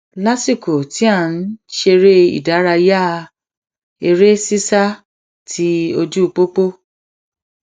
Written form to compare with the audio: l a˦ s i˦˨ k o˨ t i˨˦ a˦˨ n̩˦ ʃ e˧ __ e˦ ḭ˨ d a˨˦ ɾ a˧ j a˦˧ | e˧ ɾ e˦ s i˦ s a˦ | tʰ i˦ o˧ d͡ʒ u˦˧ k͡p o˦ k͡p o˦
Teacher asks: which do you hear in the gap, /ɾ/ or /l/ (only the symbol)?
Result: ɾ